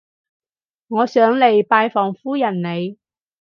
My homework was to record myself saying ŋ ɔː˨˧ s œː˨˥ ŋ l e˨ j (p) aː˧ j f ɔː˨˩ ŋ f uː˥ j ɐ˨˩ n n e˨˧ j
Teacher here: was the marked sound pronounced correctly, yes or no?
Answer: yes